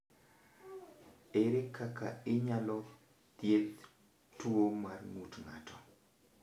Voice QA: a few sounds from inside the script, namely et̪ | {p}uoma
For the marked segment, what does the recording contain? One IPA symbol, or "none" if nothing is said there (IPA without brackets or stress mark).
t